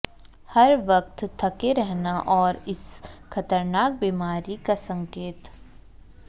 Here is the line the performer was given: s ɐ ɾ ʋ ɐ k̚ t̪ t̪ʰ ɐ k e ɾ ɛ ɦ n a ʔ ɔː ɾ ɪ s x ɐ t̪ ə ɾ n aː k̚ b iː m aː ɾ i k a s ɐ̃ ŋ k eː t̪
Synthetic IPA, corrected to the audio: h ɐ ɾ ʋ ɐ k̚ t̪ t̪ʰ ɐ k e ɾ ɛ ɦ n a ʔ ɔː ɾ ɪ s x ɐ t̪ ə ɾ n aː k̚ b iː m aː ɾ i k a s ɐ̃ ŋ k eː t̪